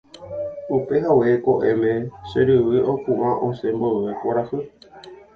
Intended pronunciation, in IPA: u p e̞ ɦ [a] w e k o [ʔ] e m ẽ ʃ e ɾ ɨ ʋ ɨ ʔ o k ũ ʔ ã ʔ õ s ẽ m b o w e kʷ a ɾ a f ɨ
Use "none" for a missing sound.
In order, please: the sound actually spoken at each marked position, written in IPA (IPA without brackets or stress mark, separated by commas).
a, ʔ